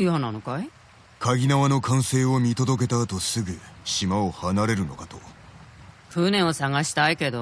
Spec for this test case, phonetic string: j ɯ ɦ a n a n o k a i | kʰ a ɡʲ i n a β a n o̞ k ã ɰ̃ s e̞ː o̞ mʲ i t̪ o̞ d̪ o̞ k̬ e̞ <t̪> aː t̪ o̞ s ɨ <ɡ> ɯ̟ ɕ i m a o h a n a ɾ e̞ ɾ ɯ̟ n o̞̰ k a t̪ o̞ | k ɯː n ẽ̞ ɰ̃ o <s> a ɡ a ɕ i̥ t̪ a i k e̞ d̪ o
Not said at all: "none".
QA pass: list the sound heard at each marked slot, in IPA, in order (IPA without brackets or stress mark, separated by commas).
t̪, ɡ, s